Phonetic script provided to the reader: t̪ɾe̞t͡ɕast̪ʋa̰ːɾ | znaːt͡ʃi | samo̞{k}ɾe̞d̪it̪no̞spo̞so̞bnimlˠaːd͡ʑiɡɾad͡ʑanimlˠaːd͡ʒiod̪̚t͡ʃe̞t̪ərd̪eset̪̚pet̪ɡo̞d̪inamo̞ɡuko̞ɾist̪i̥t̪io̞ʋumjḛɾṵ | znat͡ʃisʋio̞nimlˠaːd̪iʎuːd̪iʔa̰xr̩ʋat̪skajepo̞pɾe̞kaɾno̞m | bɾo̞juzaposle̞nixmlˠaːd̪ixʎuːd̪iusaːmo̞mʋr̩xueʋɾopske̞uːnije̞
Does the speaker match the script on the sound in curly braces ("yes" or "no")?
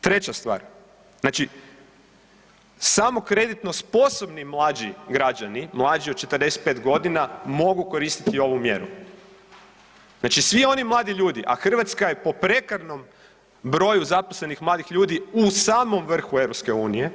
yes